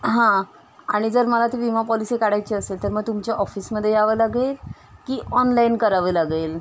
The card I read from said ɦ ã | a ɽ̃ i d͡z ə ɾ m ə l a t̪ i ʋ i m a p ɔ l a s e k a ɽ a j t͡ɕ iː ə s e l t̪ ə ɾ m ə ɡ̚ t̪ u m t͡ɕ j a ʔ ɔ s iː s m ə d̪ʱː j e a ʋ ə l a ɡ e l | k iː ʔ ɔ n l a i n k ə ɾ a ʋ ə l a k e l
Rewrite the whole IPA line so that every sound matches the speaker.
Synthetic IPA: ɦ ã | a ɽ̃ i d͡z ə ɾ m ə l a t̪ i ʋ i m a p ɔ l i s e k a ɽ a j t͡ɕ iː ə s e l t̪ ə ɾ m ə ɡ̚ t̪ u m t͡ɕ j a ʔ ɔ f iː s m ə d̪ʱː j e a ʋ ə l a ɡ e l | k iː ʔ ɔ n l a i n k ə ɾ a ʋ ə l a ɡ e l